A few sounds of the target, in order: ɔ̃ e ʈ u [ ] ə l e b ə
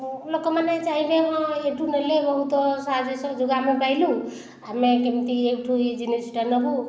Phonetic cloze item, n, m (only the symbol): n